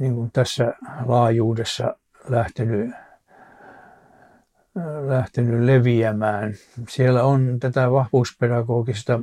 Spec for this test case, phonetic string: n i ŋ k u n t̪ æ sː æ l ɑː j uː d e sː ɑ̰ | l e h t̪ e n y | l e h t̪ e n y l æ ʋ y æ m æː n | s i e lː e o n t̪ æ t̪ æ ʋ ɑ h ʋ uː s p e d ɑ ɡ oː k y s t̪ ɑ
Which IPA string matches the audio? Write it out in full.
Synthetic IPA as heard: n i ŋ k u n t̪ æ sː æ l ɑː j uː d e sː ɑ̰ | l æ h t̪ e n y | l æ h t̪ e n y l e ʋ i æ m æː n | s i e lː æ o n t̪ æ t̪ æ ʋ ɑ h ʋ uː s p e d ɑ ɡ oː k i s t̪ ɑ